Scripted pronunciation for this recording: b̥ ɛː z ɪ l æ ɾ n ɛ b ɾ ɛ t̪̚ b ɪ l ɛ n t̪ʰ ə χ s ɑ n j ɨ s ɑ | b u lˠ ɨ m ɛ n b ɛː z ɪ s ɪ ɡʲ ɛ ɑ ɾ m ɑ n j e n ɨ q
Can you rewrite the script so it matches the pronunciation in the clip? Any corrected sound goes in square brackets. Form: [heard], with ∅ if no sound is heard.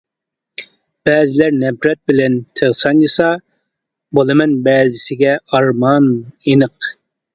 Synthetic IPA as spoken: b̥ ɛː z ɪ l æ ɾ n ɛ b ɾ ɛ t̪̚ b ɪ l ɛ n t̪ʰ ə [ʁ] s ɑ n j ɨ s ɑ | b [o] lˠ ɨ m ɛ n b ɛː z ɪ s ɪ ɡʲ ɛ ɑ ɾ m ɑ n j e n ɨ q